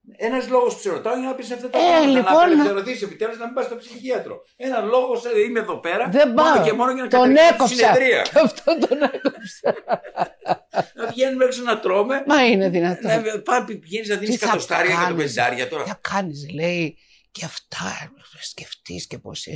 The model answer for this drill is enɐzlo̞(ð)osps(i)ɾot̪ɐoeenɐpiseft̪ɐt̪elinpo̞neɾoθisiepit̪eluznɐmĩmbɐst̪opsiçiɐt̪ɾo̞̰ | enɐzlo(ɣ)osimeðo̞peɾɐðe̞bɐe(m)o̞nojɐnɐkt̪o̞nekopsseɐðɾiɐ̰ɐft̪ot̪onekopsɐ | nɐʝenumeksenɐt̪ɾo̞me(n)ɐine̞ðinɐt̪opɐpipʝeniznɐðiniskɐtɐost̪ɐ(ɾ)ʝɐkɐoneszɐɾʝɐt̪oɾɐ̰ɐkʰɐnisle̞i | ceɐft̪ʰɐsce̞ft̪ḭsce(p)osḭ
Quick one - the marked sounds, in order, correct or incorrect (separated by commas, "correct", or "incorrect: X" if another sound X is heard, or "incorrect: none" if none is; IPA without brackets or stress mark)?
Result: incorrect: ɣ, incorrect: e, correct, correct, incorrect: m, correct, correct